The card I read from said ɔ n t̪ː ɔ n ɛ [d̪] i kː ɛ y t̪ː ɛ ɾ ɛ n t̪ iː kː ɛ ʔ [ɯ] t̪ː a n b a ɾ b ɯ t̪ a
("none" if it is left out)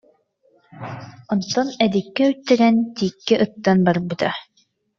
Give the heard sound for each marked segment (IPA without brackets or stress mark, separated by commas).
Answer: d̪, ɯ